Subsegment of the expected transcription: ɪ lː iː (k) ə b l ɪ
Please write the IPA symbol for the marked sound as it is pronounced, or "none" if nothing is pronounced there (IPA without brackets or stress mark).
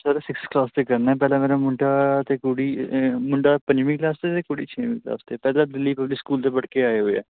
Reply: p